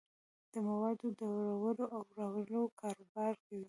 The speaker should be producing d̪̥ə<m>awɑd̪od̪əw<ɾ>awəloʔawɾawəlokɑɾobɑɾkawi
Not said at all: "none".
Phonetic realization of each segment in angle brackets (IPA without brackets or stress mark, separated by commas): m, ɾ